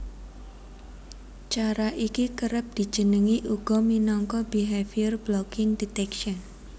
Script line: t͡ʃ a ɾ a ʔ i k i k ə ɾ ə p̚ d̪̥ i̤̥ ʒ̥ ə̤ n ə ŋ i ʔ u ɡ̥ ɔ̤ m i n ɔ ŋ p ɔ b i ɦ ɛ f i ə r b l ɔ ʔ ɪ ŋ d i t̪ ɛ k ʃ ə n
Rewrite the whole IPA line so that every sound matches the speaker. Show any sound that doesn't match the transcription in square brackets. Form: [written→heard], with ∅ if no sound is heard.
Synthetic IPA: t͡ʃ a ɾ a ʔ i k i k ə ɾ ə p̚ d̪̥ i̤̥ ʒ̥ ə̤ n ə ŋ i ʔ u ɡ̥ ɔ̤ m i n ɔ ŋ [p→k] ɔ b i ɦ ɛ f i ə r b l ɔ [ʔ→k] ɪ ŋ d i t̪ ɛ k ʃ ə n